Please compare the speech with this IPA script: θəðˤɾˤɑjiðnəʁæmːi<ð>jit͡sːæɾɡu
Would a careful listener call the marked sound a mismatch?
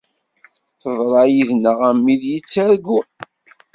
no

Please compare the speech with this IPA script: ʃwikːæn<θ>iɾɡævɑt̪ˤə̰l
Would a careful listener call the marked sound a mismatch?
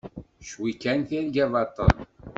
no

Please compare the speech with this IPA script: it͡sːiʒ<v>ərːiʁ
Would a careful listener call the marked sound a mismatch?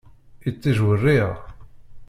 yes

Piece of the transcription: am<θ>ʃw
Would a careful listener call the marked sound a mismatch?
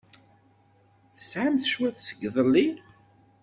no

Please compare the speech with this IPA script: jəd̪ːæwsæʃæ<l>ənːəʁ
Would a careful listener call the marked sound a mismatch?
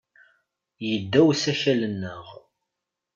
no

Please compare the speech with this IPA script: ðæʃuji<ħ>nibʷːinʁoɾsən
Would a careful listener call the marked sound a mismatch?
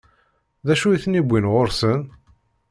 yes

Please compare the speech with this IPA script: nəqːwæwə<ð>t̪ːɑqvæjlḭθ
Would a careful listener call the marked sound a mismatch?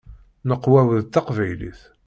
no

